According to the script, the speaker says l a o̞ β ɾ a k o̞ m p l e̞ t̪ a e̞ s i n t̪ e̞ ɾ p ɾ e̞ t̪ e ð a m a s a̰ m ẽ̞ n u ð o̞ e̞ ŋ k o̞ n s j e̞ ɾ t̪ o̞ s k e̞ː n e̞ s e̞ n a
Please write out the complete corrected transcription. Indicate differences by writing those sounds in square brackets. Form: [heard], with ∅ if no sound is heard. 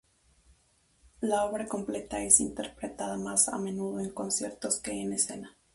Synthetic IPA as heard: l a o̞ β ɾ a k o̞ m p l e̞ t̪ a e̞ s i n t̪ e̞ ɾ p ɾ e̞ t̪ [a] ð a m a s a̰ m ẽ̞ n u ð o̞ e̞ ŋ k o̞ n s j e̞ ɾ t̪ o̞ s k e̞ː n e̞ s e̞ n a